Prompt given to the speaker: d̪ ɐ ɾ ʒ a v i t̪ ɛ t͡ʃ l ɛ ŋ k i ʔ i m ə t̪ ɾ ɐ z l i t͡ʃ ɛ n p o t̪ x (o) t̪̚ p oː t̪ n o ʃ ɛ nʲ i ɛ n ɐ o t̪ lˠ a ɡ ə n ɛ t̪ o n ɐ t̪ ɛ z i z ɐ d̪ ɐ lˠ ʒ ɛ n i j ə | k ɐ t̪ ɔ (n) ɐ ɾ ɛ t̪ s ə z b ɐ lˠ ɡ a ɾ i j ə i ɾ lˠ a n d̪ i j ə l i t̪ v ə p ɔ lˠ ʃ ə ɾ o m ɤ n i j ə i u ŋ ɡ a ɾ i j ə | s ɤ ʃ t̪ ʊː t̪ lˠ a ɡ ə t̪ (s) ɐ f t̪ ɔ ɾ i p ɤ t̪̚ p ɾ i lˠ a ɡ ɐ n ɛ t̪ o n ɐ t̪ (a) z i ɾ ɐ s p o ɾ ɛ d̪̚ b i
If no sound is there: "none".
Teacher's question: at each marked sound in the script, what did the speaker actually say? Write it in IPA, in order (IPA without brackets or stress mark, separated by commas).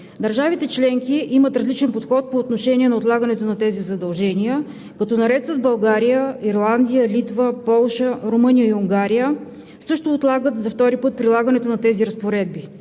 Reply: ɔ, n, z, ɛ